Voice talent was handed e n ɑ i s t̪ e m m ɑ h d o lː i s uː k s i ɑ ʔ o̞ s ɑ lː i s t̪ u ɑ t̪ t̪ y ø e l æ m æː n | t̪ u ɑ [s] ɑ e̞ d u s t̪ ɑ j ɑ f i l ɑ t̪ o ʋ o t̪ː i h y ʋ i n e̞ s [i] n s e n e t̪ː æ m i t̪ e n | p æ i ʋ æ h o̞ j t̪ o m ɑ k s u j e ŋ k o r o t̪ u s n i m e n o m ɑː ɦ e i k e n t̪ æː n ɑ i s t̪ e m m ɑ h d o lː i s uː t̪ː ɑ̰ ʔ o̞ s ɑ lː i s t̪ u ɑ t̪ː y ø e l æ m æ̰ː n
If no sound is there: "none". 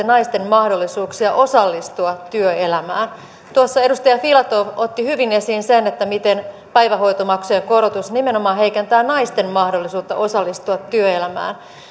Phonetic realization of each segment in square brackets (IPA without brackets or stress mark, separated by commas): sː, iː